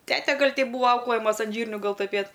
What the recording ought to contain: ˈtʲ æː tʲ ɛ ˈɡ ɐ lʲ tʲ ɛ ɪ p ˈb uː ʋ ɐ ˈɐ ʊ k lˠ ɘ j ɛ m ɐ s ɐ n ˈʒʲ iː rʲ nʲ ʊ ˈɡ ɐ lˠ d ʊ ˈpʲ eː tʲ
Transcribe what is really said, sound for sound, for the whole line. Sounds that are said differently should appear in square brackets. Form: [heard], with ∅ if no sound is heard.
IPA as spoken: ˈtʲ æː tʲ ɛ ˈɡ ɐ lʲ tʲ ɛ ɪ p ˈb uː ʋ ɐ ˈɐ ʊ k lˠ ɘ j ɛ m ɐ s ɐ n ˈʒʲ iː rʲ nʲ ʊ ˈɡ ɐ lˠ [t] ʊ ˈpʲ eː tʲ

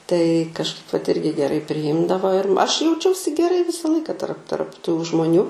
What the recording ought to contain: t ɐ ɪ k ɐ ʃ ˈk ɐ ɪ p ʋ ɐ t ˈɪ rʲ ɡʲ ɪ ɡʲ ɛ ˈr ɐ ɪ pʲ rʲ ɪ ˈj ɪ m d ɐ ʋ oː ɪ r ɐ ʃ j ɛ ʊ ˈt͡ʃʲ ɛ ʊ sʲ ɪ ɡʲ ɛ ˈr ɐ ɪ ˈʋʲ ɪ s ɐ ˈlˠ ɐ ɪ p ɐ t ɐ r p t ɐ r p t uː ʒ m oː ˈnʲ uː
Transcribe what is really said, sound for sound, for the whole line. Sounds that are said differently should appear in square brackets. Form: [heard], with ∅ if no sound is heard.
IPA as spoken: t ɐ ɪ k ɐ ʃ ˈk ɐ ɪ p ʋ ɐ t ˈɪ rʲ ɡʲ ɪ ɡʲ ɛ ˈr ɐ ɪ pʲ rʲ ɪ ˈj ɪ m d ɐ ʋ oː ɪ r ɐ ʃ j ɛ ʊ ˈt͡ʃʲ ɛ ʊ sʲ ɪ ɡʲ ɛ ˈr ɐ ɪ ˈʋʲ ɪ s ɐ ˈlˠ ɐ ɪ [k] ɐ t ɐ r p t ɐ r p t uː ʒ m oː ˈnʲ uː

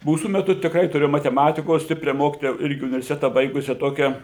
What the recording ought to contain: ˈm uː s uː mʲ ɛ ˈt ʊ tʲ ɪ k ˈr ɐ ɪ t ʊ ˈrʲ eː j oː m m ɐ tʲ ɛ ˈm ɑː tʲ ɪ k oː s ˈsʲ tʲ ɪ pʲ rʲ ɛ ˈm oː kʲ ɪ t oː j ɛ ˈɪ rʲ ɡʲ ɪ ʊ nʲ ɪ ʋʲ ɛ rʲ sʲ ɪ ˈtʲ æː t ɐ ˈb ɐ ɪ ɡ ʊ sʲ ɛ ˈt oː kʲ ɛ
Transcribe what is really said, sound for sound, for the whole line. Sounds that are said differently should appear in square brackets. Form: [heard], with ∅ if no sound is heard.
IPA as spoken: ˈm uː s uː mʲ ɛ ˈt ʊ tʲ ɪ k ˈr ɐ ɪ t ʊ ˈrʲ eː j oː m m ɐ tʲ ɛ ˈm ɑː tʲ ɪ k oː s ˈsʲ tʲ ɪ pʲ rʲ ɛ ˈm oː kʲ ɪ t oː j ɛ ˈɪ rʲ ɡʲ ɪ ʊ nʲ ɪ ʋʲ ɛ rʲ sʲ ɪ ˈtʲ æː t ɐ ˈb ɐ ɪ ɡ ʊ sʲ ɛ ˈt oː kʲ ɛ

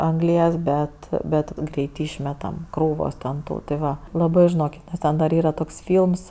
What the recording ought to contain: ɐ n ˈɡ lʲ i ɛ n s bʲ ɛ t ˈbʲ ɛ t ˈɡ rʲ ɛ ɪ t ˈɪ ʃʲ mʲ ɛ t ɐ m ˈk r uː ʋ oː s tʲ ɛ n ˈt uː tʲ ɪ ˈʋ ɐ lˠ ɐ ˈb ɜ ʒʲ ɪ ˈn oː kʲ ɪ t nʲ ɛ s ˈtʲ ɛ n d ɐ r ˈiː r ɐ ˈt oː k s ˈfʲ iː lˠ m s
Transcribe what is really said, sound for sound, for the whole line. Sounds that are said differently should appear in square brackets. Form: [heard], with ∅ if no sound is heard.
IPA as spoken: ɐ [ŋ] ˈɡ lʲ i ɛ [∅] s bʲ ɛ t ˈbʲ ɛ t ˈɡ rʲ ɛ ɪ t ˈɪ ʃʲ mʲ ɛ t ɐ m ˈk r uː ʋ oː s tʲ ɛ n ˈt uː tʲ ɪ ˈʋ ɐ lˠ ɐ ˈb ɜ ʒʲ ɪ ˈn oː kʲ ɪ t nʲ ɛ s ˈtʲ ɛ n d ɐ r ˈiː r ɐ ˈt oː k s ˈfʲ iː lˠ m s

